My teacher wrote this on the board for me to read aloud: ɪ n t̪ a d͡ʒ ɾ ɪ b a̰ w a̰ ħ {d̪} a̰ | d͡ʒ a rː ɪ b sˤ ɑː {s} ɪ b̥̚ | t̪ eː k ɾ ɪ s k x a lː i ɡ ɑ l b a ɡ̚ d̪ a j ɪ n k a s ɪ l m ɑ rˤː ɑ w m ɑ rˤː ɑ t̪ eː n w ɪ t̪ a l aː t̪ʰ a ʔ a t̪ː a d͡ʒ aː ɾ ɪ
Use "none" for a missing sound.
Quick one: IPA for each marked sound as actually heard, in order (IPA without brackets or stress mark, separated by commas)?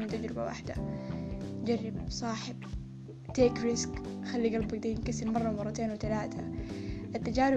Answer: d̪, ħ